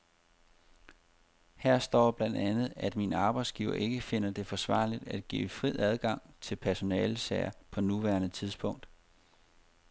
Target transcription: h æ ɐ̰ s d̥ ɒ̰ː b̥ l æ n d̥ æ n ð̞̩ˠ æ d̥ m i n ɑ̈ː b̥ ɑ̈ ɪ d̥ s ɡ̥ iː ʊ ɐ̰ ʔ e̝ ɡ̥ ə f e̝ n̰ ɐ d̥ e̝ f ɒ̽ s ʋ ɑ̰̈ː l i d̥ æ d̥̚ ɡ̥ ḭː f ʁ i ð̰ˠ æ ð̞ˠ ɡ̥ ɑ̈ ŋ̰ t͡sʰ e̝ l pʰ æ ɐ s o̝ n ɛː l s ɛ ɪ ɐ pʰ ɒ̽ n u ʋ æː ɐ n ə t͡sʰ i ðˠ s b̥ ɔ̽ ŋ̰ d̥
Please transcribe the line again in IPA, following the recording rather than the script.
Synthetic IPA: h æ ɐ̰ s d̥ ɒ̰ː b̥ l æ n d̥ æ n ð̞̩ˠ æ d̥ m i n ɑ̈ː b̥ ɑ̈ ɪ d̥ s ɡ̥ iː ʊ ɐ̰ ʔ e̝ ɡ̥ ə f e̝ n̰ ɐ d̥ e̝ f ɒ̽ s ʋ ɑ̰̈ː l i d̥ æ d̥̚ ɡ̥ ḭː f ʁ i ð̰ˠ æ ð̞ˠ ɡ̥ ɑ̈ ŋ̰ t͡sʰ e̝ l pʰ æ ɐ s o̝ n ɛː l s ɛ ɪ ɐ pʰ ɒ̽ n u ʋ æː ɐ n ə t͡sʰ i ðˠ s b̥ ɔ̽ ŋ̰ d̥